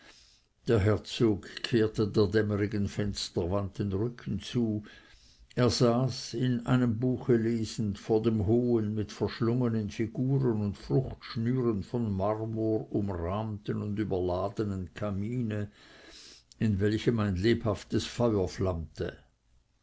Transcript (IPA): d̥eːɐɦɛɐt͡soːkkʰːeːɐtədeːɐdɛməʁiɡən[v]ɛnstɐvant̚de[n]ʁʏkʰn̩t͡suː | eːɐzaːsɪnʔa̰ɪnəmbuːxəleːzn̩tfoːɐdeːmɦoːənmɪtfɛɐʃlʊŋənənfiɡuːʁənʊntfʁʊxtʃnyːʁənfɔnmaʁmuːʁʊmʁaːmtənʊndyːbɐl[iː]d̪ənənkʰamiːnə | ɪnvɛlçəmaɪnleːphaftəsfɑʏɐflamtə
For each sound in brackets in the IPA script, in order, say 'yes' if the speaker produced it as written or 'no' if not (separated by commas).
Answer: no, yes, no